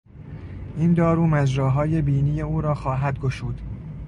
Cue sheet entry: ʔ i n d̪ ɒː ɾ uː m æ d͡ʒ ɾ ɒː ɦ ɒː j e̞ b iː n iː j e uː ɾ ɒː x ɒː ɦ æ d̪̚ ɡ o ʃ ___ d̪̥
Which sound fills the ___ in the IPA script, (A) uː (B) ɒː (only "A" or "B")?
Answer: A